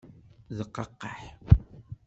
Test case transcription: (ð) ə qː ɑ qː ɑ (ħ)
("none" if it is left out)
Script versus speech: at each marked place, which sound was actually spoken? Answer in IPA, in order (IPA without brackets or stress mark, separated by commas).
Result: ð, ħ